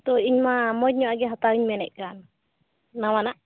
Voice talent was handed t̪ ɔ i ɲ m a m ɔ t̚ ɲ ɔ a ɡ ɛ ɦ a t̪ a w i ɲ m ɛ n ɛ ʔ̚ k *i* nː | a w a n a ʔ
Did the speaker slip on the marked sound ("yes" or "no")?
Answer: yes